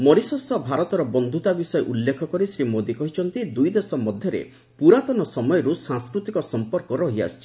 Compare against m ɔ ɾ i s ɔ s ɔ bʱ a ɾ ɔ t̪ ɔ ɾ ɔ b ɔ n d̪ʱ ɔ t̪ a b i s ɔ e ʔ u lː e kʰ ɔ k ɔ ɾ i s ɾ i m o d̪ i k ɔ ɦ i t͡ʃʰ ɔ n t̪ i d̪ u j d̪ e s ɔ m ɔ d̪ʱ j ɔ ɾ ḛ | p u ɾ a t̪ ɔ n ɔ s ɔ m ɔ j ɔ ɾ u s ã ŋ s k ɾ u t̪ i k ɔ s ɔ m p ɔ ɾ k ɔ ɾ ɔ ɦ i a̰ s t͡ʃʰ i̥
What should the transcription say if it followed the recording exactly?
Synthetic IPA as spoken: m ɔ ɾ i s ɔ s ɔ bʱ a ɾ ɔ t̪ ɔ ɾ ɔ b ɔ n d̪ʱ u t̪ a b i s ɔ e ʔ u lː e kʰ ɔ k ɔ ɾ i s ɾ i m o d̪ i k ɔ ɦ i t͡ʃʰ ɔ n t̪ i d̪ u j d̪ e s ɔ m ɔ d̪ʱ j ɔ ɾ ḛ | p u ɾ a t̪ ɔ n ɔ s ɔ m ɔ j ɔ ɾ u s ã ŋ s k ɾ u t̪ i k ɔ s ɔ m p ɔ ɾ k ɔ ɾ ɔ ɦ i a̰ s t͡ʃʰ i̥